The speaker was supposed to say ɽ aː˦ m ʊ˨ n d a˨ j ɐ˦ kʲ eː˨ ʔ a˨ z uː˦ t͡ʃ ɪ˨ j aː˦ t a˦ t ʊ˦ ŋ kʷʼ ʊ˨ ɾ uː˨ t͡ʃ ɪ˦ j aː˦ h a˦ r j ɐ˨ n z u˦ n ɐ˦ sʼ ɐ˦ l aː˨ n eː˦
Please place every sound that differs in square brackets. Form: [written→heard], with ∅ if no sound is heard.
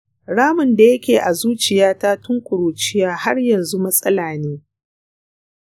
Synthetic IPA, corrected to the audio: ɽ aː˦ m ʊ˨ n d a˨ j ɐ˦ kʲ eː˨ ʔ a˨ z uː˦ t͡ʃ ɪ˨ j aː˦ t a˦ t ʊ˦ ŋ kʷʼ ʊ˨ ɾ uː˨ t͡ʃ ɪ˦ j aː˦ h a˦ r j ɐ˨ n z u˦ [n→m] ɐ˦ sʼ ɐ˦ l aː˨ n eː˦